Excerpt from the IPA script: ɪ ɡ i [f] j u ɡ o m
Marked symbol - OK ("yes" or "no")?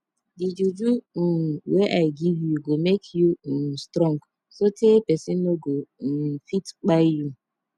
no